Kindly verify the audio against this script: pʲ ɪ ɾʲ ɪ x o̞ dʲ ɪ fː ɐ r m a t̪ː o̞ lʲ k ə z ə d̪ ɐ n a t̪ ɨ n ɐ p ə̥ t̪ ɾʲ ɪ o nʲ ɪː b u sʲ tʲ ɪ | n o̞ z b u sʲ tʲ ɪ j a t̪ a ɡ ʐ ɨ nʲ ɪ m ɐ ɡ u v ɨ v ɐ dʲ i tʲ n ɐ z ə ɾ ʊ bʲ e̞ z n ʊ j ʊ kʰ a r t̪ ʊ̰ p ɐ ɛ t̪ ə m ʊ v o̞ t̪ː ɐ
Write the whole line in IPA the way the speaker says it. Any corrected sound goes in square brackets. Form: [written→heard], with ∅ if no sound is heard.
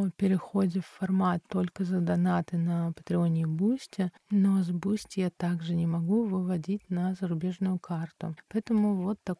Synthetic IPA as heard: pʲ ɪ ɾʲ ɪ x o̞ dʲ ɪ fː ɐ r m a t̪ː o̞ lʲ k ə z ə d̪ ɐ n a t̪ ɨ n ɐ p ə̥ t̪ ɾʲ ɪ o nʲ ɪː b u sʲ tʲ ɪ | n o̞ z b u sʲ tʲ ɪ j a t̪ a ɡ ʐ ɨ nʲ ɪ m ɐ ɡ u v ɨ v ɐ dʲ i tʲ n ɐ z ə ɾ ʊ bʲ e̞ [z→ʐ] n ʊ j ʊ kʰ a r t̪ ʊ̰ p ɐ ɛ t̪ ə m ʊ v o̞ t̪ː ɐ